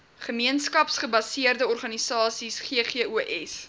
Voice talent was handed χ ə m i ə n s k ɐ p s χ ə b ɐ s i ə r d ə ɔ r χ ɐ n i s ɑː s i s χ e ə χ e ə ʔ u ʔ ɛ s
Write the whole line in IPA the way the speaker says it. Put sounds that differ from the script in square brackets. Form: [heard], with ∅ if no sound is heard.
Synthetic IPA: χ ə m i ə n s k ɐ p s χ ə b ɐ s i ə r d ə ɔ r χ ɐ n i s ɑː s i s χ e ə χ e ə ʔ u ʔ ɛ s